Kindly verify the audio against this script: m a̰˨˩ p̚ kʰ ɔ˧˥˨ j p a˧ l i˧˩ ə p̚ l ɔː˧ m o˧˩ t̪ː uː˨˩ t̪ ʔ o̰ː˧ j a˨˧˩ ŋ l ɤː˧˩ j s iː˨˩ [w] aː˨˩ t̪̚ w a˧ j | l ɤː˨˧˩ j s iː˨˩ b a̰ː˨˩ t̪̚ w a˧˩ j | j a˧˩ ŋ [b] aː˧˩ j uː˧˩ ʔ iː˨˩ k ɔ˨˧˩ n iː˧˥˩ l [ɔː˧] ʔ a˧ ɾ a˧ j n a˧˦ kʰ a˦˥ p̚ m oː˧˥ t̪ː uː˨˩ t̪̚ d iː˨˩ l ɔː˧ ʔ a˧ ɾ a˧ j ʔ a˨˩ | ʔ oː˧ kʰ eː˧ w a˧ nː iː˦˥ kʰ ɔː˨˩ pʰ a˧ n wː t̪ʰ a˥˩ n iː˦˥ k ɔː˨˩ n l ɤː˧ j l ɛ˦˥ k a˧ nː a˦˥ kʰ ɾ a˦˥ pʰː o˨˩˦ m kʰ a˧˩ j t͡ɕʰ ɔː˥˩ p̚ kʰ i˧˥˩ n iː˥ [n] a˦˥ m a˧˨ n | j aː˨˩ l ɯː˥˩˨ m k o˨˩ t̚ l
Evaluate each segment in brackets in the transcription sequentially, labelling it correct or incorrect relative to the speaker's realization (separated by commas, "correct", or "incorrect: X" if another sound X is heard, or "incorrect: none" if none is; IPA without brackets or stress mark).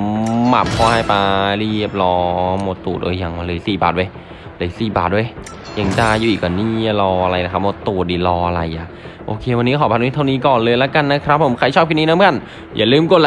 incorrect: b, incorrect: d, correct, correct